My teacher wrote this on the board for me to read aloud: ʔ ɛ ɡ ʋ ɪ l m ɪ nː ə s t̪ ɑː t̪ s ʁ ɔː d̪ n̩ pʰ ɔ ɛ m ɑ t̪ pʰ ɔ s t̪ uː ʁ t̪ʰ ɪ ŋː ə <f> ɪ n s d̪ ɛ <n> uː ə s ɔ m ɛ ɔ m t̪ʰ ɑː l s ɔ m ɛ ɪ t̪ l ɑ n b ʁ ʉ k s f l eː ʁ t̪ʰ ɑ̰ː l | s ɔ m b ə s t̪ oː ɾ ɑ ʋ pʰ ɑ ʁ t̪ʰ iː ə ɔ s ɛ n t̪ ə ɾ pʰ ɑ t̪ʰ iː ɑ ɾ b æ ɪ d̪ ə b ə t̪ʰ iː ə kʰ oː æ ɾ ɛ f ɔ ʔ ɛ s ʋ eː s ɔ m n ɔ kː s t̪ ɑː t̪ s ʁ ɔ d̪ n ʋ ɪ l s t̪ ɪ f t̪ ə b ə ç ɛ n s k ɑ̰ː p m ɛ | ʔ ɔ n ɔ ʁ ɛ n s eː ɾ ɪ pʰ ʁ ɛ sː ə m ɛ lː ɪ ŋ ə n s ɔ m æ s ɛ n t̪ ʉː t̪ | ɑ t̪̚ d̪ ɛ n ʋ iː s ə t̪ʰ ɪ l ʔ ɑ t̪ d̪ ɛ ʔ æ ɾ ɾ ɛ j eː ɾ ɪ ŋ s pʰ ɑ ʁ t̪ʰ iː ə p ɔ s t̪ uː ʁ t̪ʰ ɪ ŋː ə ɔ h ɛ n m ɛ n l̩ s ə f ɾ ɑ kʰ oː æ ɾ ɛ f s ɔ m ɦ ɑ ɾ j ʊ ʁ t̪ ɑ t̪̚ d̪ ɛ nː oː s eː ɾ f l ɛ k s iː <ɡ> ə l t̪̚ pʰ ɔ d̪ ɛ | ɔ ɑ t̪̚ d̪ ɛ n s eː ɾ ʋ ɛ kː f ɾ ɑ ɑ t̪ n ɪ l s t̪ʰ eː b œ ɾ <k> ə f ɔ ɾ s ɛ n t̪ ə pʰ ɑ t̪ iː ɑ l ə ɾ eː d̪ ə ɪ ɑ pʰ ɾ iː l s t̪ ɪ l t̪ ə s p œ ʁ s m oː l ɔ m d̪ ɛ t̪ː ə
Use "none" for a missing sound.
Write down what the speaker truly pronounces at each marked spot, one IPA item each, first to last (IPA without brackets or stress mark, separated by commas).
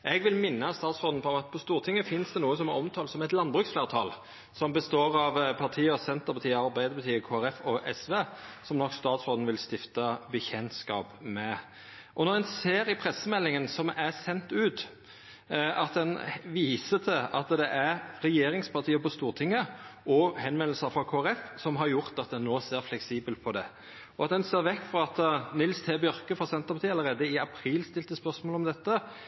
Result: f, n, b, k